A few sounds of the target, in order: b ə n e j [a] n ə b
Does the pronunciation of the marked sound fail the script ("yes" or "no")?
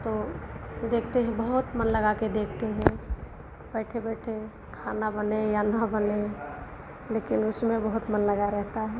no